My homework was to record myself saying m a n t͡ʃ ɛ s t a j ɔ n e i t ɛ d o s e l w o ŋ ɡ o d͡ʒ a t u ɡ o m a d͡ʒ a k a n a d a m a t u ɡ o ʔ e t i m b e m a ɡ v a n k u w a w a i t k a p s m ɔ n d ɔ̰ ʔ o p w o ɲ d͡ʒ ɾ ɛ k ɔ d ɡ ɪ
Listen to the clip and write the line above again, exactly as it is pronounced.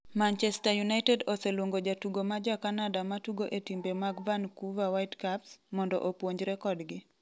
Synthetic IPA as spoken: m a n t͡ʃ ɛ s t a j u n a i t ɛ d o s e l w o ŋ ɡ o d͡ʒ a t u ɡ o m a d͡ʒ a k a n a d a m a t u ɡ o ʔ e t i m b e m a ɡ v a n k u v a w a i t k a p s m ɔ n d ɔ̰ ʔ o p w o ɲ d͡ʒ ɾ ɛ k ɔ d ɡ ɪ